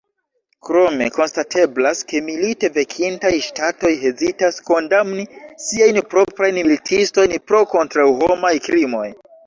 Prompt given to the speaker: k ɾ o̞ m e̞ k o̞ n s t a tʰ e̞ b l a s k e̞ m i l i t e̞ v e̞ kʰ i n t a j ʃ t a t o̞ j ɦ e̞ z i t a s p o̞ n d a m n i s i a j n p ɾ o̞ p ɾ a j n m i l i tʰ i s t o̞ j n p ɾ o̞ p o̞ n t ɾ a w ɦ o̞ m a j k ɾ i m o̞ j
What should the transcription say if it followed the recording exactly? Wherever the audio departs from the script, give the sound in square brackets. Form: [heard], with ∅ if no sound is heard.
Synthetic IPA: k ɾ o̞ m e̞ k o̞ n s t a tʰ e̞ b l a s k e̞ m i l i t e̞ v e̞ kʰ i n t a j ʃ t a t o̞ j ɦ e̞ z i t a s [k] o̞ n d a m n i s i a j n p ɾ o̞ p ɾ a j n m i l i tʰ i s t o̞ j n p ɾ o̞ [k] o̞ n t ɾ a w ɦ o̞ m a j k ɾ i m o̞ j